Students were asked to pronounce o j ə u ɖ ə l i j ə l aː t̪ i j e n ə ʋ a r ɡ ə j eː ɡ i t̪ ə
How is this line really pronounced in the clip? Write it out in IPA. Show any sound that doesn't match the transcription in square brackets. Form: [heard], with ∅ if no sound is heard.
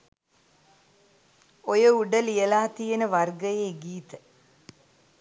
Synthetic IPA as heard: o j ə u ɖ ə l i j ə l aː t̪ i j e n ə ʋ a r ɡ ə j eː ɡ [iː] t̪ ə